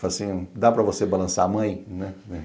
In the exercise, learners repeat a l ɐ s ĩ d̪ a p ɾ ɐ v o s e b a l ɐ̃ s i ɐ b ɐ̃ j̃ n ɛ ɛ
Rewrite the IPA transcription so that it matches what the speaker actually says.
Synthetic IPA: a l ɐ s ĩ d̪ a p ɾ ɐ v o s e b a l ɐ̃ s a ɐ m ɐ̃ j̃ n ɛ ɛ